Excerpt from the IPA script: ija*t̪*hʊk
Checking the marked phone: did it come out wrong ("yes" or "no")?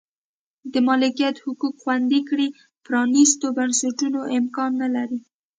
no